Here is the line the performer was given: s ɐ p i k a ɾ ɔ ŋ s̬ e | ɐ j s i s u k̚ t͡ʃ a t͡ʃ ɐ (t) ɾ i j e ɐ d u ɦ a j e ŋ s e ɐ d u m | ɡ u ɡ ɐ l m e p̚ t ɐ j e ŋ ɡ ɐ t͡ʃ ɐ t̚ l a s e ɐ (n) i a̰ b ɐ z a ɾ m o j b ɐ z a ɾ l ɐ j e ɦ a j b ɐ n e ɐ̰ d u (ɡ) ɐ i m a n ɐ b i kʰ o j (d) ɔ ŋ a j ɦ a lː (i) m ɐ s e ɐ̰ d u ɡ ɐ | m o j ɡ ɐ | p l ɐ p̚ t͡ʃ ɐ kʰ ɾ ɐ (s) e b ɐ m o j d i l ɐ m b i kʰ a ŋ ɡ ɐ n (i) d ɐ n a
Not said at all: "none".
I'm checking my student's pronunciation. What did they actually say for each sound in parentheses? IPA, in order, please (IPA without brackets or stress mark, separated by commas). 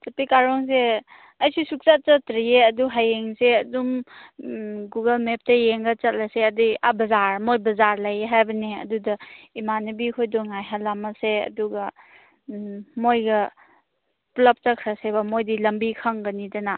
t, d, d, d, a, s, i